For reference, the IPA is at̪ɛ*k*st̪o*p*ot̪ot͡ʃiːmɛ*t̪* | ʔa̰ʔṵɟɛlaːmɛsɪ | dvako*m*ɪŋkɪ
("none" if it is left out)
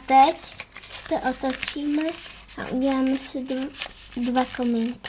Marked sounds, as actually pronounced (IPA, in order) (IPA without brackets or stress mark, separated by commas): c, ʔ, none, m